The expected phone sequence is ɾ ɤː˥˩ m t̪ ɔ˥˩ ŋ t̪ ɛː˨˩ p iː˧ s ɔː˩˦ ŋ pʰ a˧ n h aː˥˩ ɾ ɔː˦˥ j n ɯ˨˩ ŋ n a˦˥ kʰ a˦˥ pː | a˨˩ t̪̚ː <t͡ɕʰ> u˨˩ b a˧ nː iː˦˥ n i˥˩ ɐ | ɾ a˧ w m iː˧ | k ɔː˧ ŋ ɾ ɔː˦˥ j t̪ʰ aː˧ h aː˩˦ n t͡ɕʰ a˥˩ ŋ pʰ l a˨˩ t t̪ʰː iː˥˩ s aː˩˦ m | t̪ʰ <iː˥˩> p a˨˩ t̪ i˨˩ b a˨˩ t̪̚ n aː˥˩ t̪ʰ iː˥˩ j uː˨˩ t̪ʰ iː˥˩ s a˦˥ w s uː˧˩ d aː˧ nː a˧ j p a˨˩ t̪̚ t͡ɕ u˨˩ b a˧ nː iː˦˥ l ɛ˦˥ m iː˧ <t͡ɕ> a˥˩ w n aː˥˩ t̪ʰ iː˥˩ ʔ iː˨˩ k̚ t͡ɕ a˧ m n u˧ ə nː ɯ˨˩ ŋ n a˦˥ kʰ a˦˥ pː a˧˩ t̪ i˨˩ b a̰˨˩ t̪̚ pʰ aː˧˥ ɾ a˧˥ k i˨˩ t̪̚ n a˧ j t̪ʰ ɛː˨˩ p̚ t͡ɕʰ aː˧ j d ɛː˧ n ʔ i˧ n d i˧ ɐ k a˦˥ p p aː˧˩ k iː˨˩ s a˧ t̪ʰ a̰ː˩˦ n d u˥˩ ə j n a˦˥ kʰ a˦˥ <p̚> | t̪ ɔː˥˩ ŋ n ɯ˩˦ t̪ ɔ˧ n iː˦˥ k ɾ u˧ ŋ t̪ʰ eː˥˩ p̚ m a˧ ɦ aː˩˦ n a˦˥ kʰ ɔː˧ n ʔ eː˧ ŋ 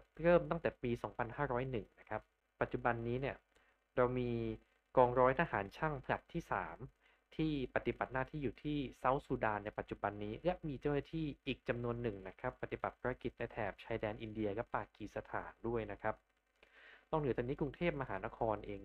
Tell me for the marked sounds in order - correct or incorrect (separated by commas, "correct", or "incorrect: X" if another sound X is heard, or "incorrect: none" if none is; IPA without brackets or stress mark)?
incorrect: t͡ɕ, correct, correct, correct